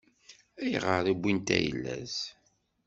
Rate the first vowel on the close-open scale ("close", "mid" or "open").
open